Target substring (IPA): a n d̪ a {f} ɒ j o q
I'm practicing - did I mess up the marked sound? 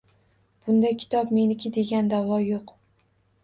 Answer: yes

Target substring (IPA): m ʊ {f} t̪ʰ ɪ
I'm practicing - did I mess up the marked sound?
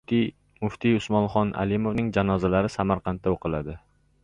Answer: no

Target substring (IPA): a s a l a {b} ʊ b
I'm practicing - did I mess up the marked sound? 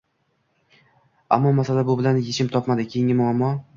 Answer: no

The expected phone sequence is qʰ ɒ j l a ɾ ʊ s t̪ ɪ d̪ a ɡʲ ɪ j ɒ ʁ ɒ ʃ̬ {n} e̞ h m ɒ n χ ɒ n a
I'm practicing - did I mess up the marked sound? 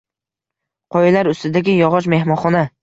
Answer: yes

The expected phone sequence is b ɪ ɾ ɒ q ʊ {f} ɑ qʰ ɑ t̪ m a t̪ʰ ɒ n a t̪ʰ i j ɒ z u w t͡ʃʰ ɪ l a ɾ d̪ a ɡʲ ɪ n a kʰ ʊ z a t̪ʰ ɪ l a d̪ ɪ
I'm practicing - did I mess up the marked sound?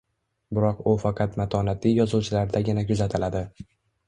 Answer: no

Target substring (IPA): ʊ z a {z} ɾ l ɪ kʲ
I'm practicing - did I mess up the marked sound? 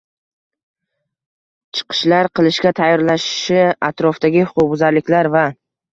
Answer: yes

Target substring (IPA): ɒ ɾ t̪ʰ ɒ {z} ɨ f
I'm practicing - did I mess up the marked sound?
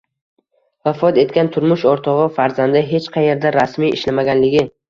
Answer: yes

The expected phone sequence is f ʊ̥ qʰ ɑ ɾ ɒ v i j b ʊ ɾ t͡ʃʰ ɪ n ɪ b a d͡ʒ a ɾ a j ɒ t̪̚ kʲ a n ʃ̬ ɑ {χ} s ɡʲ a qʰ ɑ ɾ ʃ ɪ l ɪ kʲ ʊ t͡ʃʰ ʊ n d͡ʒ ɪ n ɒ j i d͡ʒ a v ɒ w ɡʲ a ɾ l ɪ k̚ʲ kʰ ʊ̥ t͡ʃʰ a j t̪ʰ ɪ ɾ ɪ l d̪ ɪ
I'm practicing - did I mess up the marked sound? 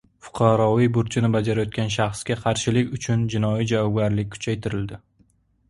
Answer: no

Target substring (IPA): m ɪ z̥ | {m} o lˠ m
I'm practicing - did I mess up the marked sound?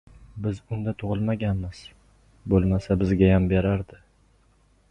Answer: yes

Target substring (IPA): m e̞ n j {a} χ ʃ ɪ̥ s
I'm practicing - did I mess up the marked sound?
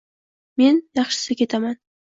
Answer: yes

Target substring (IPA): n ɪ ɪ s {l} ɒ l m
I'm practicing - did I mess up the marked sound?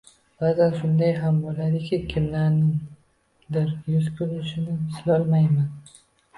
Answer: no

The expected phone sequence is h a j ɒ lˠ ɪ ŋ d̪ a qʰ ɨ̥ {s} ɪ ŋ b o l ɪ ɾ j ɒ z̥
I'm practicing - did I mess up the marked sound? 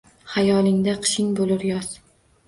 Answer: yes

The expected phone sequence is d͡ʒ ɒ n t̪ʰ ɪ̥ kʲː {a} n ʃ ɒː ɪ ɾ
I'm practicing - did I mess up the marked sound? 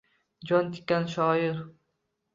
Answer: no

